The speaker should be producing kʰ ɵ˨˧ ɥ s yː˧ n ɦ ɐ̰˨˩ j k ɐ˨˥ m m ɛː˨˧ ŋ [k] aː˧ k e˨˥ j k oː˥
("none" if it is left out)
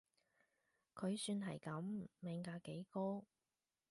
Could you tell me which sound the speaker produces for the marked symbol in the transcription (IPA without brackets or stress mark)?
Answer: k